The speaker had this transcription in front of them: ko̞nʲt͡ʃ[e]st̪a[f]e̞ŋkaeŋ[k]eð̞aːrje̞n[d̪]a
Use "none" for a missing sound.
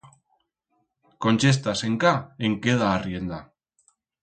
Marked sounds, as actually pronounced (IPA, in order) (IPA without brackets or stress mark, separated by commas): e, s, k, d̪